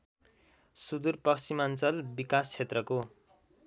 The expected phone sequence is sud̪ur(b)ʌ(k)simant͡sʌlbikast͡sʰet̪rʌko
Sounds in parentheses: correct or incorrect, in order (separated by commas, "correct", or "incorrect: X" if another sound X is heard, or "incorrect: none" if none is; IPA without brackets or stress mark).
incorrect: p, correct